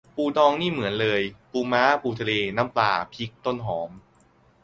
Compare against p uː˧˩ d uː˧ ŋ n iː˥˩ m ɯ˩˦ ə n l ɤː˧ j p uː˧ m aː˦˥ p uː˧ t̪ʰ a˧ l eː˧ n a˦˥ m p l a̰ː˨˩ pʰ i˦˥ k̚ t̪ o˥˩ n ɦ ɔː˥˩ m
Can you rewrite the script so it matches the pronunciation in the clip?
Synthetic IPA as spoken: p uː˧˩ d ɔː˧ ŋ n iː˥˩ m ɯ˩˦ ə n l ɤː˧ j p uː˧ m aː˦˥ p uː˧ t̪ʰ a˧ l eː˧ n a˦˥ m p l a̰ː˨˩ pʰ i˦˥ k̚ t̪ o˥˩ n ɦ ɔː˩˦ m